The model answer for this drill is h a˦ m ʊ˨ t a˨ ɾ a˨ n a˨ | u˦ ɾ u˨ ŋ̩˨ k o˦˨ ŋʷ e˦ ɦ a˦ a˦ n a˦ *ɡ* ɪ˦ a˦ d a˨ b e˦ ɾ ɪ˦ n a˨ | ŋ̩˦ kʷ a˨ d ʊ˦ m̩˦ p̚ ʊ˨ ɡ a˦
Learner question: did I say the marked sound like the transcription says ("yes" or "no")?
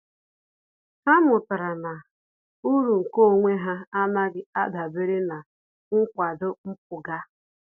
yes